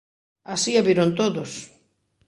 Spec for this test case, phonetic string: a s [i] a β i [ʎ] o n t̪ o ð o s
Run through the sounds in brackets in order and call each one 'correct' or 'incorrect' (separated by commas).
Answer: correct, incorrect